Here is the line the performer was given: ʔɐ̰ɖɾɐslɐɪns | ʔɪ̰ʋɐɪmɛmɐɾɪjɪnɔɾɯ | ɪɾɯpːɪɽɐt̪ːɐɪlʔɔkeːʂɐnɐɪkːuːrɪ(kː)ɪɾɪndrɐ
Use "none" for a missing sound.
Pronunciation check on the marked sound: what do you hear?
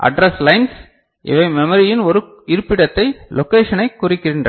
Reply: kː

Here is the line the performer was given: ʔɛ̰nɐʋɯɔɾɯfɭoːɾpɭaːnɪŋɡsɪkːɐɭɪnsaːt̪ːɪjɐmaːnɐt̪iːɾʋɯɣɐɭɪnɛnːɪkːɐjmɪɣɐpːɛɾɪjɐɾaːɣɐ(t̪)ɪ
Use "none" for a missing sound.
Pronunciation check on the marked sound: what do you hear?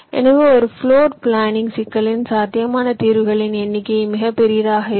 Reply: none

